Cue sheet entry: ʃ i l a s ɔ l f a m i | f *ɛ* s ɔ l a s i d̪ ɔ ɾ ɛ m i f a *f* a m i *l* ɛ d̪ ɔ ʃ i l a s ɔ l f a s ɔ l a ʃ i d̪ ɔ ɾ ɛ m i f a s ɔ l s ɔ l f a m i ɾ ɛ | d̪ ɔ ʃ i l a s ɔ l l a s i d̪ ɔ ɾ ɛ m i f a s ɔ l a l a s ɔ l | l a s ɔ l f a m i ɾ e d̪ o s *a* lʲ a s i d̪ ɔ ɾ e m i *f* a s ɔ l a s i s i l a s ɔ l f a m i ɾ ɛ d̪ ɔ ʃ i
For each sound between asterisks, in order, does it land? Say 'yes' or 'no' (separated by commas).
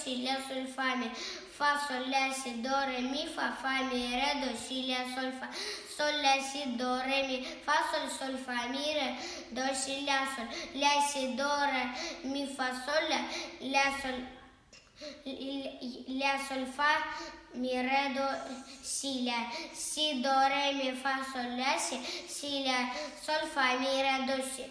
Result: no, yes, no, no, yes